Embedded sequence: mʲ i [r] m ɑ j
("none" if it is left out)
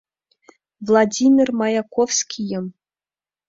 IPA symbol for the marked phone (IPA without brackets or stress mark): r